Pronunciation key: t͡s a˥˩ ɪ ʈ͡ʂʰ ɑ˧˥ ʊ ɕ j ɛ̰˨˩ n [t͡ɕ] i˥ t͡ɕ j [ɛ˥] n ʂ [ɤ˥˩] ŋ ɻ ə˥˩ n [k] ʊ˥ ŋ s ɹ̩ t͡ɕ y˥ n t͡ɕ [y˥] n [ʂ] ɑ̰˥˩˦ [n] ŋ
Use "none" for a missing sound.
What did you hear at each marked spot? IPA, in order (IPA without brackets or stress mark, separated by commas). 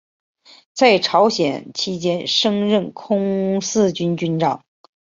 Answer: t͡ɕʰ, ɛ˥, ɤ˥, kʰ, y˥, ʈ͡ʂ, none